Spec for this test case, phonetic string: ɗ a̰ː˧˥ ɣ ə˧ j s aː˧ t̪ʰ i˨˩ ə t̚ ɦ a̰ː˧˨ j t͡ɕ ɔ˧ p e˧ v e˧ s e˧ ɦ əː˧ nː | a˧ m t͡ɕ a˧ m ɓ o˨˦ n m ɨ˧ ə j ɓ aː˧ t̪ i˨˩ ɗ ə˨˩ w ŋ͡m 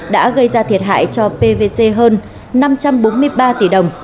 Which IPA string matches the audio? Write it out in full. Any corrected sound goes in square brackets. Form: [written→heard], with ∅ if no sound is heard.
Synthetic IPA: ɗ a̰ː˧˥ ɣ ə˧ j [s→z] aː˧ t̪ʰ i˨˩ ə t̚ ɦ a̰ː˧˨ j t͡ɕ ɔ˧ p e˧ v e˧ s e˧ ɦ əː˧ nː | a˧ m t͡ɕ a˧ m ɓ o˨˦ n m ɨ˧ ə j ɓ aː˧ t̪ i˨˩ ɗ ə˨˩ w ŋ͡m